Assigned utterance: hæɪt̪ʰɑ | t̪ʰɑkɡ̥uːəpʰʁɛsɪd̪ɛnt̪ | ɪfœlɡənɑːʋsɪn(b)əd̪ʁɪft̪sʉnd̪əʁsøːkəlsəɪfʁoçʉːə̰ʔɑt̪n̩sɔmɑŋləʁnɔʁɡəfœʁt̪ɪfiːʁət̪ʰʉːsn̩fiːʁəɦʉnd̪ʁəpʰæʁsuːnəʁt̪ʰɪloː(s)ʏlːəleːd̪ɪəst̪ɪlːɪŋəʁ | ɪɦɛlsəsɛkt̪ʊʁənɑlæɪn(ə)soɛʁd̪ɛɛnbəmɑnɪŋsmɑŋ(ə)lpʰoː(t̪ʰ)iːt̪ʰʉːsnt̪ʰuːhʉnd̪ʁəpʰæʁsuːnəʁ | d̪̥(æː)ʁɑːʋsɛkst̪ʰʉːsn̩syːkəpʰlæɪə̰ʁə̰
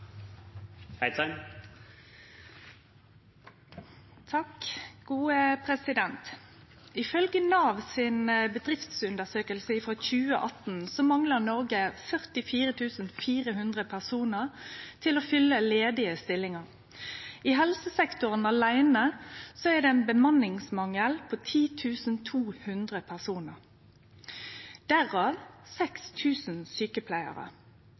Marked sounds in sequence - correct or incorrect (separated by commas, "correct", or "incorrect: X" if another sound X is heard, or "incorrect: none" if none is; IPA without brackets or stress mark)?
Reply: correct, incorrect: f, correct, correct, correct, incorrect: æ